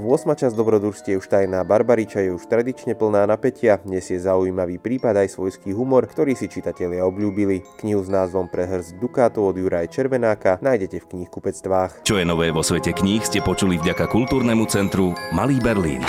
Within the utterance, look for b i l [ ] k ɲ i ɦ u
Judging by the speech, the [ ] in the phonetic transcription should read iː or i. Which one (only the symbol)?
i